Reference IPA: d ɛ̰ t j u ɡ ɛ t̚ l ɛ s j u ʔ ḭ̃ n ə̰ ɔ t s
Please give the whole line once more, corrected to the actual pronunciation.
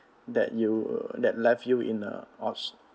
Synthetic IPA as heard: d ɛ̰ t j u d ɛ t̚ l ɛ f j u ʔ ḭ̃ n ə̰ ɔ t s